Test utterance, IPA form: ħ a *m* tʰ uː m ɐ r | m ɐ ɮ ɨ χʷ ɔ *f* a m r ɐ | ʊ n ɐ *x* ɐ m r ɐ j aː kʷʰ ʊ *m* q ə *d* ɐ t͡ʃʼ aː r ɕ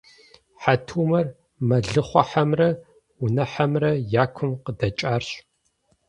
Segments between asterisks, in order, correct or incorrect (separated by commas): incorrect, incorrect, incorrect, correct, correct